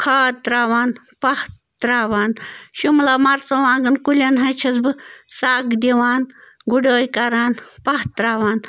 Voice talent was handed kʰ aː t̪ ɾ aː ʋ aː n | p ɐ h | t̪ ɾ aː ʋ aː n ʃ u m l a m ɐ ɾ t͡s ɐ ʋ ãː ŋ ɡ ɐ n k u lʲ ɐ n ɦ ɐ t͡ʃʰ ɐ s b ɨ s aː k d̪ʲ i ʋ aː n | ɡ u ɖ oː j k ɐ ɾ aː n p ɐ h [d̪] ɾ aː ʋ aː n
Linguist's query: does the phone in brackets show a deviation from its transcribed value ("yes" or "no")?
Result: yes